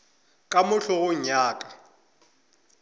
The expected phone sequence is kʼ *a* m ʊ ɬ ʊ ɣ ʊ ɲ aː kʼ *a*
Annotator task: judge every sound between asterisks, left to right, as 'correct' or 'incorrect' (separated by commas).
correct, correct